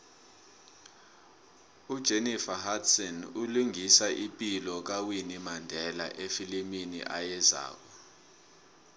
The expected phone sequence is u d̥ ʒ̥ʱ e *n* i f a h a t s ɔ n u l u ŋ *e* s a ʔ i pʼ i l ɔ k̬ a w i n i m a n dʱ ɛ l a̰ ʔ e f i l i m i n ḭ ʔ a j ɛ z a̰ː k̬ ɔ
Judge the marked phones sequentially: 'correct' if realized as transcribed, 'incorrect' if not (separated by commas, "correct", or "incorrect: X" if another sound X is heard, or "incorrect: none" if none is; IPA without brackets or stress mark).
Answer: correct, incorrect: i